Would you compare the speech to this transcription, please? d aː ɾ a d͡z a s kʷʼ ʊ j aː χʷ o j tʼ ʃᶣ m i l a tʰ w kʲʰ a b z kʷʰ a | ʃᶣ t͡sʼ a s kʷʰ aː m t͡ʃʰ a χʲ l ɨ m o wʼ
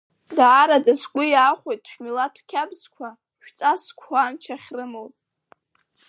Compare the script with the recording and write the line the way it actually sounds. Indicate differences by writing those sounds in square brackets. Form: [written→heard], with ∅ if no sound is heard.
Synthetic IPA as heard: d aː ɾ a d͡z a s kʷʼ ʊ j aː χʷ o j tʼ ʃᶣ m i l a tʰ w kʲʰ a b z kʷʰ a | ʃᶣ t͡sʼ a s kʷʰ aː m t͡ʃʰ a χʲ [l→r] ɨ m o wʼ